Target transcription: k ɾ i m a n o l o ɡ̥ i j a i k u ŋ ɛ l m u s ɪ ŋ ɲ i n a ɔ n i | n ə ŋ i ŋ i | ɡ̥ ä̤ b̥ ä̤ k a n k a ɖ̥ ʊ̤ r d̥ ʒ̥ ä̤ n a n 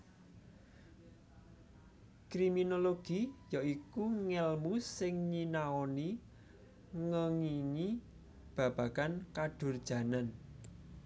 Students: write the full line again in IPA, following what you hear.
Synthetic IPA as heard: k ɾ i m i n o l o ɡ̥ i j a i k u ŋ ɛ l m u s ɪ ŋ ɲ i n a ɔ n i | ŋ ə ŋ i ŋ i | b̥ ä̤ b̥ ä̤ k a n k a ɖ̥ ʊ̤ r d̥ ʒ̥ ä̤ n a n